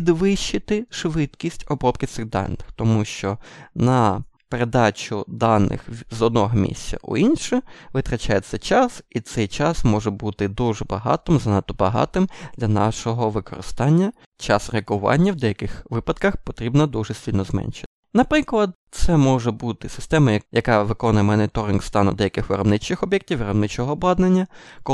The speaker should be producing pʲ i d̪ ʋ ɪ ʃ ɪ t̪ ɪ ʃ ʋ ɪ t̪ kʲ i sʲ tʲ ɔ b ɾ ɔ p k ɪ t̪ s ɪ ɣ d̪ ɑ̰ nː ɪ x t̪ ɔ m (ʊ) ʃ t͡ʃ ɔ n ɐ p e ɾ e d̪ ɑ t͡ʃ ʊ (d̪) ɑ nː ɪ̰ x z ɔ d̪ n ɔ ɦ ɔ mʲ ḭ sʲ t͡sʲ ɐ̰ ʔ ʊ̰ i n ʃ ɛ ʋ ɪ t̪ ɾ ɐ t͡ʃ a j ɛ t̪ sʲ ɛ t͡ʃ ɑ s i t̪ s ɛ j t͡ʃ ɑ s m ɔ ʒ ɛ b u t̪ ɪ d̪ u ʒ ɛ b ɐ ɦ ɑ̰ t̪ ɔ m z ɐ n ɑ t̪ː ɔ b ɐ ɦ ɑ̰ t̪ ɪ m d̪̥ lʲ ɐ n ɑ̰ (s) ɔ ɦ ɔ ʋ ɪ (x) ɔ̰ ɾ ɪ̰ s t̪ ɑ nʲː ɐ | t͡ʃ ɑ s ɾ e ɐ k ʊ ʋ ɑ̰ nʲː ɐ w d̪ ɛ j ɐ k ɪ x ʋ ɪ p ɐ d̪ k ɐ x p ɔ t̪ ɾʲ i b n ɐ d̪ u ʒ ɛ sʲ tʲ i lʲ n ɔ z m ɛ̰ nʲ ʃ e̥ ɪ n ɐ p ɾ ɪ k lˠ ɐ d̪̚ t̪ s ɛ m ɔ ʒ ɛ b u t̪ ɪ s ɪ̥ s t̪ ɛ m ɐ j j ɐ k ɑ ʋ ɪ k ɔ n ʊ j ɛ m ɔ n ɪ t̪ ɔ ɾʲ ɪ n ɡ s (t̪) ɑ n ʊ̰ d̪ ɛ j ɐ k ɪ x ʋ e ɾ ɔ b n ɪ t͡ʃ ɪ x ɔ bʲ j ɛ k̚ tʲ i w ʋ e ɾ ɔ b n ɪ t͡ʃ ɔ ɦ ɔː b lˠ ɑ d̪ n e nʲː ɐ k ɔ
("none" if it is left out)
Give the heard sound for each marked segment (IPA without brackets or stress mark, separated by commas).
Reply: u, d̪, ʃ, k, t̪